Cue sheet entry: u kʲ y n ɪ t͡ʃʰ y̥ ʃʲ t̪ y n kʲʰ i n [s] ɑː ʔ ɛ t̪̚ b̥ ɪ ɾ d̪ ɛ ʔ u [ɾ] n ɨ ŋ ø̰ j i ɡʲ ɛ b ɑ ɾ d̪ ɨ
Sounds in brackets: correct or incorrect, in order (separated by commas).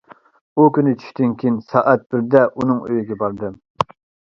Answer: correct, incorrect